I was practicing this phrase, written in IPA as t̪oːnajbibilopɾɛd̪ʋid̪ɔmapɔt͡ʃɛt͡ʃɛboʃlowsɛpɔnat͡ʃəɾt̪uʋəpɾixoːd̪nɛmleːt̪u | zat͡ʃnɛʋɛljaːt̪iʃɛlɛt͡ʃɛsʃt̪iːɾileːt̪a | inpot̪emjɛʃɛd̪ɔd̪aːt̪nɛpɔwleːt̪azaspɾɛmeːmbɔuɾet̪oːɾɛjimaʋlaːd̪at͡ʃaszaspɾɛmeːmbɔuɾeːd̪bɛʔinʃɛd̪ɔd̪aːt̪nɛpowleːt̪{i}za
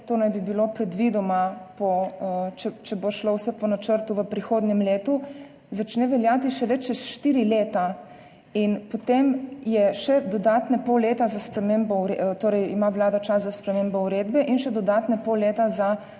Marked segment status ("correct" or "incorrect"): incorrect